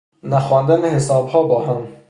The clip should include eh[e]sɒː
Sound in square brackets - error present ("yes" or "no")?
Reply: no